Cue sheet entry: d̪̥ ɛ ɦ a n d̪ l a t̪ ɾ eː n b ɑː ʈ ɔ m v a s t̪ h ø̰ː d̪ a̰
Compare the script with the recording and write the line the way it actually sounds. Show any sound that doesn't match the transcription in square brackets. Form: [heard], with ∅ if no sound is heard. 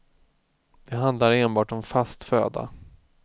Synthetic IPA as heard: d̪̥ ɛ ɦ a n d̪ l a [∅] ɾ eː n b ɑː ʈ ɔ m [f] a s t̪ [f] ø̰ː d̪ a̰